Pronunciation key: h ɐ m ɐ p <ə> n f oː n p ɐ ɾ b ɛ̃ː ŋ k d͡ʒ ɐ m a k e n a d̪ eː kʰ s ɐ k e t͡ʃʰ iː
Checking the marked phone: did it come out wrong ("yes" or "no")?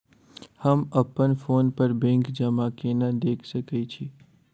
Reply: no